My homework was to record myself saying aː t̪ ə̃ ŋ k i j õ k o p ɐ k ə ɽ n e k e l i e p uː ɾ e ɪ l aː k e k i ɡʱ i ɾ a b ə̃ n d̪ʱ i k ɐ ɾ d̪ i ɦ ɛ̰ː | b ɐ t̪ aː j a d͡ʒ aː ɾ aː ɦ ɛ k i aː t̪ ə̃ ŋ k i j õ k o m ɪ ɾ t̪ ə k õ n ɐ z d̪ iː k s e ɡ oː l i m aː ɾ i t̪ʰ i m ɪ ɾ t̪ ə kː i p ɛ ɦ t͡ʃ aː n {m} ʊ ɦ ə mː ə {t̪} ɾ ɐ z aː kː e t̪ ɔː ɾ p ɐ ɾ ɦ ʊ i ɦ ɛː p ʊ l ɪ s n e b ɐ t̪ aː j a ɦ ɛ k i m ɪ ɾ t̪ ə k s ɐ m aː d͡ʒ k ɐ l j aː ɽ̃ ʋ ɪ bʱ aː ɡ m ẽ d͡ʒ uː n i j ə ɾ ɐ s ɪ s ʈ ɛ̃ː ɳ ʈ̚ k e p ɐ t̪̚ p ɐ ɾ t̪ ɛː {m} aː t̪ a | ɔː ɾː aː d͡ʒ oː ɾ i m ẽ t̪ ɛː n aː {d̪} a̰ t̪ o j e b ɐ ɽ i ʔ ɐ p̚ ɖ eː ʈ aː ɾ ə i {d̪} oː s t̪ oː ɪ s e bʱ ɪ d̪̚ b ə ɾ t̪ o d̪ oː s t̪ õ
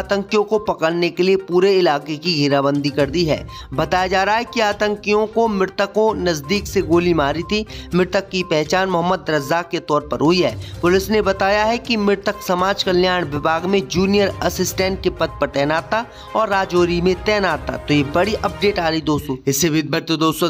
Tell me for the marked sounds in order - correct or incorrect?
correct, incorrect: d̪, incorrect: n, incorrect: t̪, correct

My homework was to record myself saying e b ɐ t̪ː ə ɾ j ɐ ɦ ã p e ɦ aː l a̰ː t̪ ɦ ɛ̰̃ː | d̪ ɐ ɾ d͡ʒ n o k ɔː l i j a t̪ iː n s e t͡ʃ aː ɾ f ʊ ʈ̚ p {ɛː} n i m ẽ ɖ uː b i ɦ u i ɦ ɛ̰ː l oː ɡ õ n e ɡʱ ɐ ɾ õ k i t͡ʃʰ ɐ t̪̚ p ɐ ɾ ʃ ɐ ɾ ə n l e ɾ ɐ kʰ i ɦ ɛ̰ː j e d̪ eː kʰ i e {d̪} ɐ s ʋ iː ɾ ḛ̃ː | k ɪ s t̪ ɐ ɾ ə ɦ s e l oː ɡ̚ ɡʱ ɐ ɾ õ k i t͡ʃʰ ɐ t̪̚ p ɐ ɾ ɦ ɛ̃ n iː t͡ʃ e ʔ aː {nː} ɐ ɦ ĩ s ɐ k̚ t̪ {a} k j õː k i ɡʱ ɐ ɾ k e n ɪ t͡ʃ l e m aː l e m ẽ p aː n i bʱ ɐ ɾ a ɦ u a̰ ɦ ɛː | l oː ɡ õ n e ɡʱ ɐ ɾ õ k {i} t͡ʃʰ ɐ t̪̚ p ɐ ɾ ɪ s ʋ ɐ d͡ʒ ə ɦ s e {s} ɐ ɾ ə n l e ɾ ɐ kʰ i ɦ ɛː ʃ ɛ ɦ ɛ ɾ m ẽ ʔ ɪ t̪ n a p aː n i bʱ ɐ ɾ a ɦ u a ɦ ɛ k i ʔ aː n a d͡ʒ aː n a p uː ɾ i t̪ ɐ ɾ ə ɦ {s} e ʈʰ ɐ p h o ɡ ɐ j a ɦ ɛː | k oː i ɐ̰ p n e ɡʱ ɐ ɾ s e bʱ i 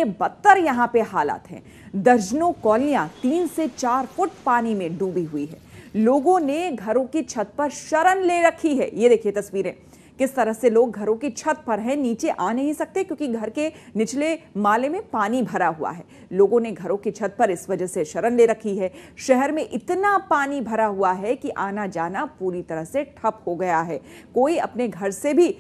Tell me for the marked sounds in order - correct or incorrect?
incorrect: aː, incorrect: t̪, incorrect: n, incorrect: e, correct, incorrect: ʃ, correct

